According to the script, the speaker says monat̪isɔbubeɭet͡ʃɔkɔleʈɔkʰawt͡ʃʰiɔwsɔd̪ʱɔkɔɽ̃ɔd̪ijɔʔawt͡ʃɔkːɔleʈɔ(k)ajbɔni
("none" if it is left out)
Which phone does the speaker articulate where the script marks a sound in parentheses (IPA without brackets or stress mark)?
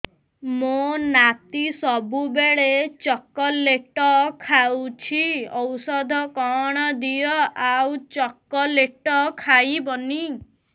kʰ